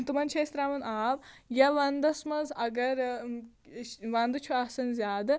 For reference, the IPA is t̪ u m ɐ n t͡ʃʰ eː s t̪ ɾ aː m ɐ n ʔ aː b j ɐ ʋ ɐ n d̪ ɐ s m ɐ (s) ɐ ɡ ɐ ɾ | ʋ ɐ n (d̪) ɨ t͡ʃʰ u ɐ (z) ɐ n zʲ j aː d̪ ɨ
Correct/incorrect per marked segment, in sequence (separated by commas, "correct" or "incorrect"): incorrect, correct, incorrect